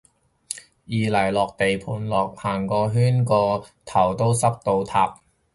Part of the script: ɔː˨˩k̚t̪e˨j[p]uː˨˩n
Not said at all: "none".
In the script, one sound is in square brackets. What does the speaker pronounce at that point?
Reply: pʰ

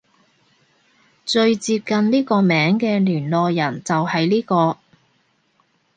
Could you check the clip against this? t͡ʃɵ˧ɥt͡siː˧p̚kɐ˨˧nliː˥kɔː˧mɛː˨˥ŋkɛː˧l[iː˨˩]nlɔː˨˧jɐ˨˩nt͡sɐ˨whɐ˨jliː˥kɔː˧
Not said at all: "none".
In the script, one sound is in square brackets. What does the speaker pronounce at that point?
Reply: yː˨˩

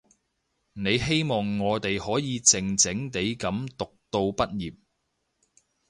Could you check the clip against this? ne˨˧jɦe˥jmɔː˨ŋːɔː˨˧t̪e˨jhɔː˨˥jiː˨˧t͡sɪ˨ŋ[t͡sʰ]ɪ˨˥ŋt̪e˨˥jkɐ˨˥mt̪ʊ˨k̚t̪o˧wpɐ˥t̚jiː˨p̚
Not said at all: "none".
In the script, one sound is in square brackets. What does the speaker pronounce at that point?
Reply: t͡s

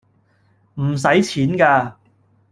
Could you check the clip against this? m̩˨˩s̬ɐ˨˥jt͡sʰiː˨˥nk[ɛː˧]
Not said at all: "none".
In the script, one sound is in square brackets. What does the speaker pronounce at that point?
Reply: aː˧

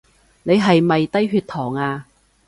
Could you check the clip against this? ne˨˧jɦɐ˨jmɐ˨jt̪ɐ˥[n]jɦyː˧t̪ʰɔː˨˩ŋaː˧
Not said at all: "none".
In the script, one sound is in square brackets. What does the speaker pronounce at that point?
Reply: none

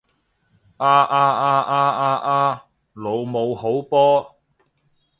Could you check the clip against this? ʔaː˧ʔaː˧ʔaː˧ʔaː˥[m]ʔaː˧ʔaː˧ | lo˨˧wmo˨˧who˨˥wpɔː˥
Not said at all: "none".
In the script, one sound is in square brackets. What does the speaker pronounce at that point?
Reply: none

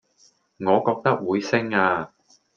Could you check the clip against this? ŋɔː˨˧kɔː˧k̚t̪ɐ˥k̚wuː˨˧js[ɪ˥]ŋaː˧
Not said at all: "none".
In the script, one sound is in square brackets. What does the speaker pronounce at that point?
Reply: ɪ˥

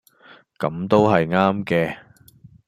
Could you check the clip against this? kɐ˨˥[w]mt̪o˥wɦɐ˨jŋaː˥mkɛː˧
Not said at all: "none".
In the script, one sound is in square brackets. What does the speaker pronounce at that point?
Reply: none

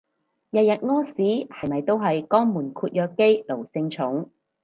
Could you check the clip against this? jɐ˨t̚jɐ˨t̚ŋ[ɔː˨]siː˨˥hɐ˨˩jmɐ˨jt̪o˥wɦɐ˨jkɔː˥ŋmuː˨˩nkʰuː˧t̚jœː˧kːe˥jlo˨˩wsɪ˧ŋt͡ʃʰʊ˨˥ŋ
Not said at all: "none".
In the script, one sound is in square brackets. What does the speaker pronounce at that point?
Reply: ɔː˥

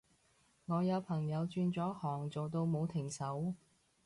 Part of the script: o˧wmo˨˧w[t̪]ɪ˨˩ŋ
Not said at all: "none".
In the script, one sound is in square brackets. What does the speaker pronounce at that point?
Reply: t̪ʰ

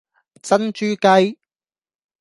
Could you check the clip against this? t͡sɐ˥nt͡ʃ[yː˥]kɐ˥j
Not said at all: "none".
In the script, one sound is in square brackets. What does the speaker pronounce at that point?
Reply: yː˥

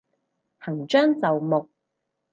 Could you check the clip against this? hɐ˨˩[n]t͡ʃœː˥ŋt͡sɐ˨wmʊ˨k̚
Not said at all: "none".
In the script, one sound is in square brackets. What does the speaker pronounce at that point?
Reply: ŋ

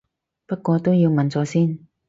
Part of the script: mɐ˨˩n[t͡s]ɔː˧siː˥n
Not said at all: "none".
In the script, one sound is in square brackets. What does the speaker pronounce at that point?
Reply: t͡s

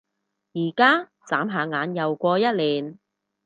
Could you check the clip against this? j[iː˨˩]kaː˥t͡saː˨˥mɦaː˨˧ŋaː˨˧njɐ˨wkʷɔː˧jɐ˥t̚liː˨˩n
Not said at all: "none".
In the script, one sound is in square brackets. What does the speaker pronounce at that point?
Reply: iː˨˩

